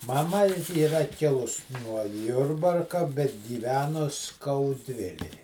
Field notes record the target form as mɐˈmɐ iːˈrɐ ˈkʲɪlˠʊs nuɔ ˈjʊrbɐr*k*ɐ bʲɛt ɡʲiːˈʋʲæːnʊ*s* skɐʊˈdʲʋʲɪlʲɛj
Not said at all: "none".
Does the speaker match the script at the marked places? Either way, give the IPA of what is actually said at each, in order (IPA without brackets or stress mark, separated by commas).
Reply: k, s